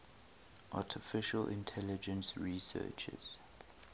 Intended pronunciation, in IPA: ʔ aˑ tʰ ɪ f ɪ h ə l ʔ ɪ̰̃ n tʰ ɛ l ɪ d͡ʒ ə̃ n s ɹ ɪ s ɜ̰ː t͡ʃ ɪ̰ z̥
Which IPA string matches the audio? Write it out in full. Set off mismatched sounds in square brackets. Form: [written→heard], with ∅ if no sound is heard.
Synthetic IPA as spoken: ʔ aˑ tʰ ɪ f ɪ [h→ʃ] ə l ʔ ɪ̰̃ n tʰ ɛ l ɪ d͡ʒ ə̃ n s ɹ [ɪ→i] s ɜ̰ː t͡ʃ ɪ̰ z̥